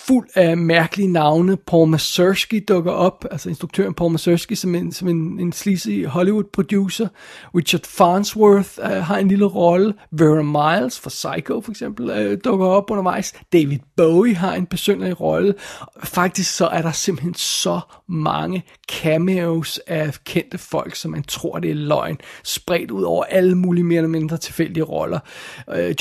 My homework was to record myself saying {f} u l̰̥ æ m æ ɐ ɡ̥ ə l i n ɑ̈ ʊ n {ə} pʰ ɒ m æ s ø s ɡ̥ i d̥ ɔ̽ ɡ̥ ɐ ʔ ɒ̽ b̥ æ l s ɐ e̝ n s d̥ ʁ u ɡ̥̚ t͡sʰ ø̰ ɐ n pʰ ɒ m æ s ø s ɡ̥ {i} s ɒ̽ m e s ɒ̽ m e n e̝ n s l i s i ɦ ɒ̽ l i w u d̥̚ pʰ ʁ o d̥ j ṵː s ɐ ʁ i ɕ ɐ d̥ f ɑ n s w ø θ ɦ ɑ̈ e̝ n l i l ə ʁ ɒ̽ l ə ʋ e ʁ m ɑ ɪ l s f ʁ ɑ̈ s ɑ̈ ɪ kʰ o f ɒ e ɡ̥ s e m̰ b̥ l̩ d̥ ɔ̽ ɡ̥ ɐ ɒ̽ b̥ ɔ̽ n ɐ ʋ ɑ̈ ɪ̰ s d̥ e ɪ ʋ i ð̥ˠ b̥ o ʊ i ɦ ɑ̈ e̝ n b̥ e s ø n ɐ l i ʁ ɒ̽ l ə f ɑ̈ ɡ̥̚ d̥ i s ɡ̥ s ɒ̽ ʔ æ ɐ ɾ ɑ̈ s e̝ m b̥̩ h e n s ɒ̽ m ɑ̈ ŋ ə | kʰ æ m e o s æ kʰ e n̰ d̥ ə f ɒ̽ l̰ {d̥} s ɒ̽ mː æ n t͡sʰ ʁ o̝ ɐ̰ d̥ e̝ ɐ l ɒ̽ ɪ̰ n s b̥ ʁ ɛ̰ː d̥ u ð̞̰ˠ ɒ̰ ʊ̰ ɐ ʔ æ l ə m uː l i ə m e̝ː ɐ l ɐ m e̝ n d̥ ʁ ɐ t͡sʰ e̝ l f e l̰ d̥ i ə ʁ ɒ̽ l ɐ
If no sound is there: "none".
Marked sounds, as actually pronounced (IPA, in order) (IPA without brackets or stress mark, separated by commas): f, ə, i, ɡ̥